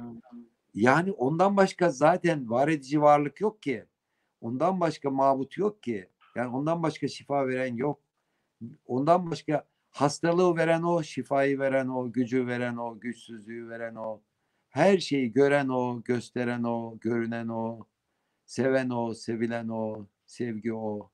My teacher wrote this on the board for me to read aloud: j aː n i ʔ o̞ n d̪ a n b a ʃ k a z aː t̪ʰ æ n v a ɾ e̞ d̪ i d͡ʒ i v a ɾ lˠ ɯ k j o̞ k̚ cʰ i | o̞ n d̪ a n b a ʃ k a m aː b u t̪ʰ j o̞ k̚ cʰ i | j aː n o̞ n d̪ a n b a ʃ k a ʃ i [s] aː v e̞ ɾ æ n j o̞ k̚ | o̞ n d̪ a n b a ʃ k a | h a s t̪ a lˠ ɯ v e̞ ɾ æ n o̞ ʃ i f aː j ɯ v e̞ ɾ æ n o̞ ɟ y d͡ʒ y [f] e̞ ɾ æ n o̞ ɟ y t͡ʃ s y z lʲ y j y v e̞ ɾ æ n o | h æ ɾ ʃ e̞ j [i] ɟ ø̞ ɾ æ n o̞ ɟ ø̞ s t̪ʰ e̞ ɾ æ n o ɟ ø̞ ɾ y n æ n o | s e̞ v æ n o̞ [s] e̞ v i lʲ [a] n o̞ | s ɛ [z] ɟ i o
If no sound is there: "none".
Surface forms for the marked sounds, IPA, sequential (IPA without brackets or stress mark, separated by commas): f, v, i, s, æ, v